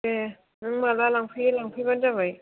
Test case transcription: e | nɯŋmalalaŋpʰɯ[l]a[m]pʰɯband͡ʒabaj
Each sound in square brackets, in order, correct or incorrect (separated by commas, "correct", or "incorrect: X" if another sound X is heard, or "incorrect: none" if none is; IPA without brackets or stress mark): correct, incorrect: ŋ